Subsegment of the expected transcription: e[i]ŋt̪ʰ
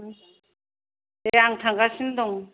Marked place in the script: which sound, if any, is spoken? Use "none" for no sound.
a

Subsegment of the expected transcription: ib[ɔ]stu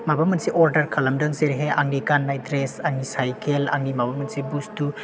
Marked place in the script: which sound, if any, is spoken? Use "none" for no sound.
u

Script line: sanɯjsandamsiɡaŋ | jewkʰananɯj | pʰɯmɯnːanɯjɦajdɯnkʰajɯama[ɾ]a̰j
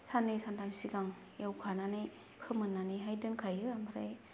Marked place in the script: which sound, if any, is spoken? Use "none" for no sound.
ɾ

